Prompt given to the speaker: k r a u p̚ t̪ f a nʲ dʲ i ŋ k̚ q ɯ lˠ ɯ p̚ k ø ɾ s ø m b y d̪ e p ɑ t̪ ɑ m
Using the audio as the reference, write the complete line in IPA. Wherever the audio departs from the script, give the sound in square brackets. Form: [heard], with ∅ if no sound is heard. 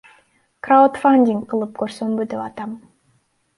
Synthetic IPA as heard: k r a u [∅] t̪ f a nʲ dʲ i ŋ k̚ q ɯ lˠ ɯ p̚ k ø ɾ s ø m b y d̪ e p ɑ t̪ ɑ m